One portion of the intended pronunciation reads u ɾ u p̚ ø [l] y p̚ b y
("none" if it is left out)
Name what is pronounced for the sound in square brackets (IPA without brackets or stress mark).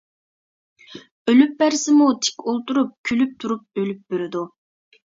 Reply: l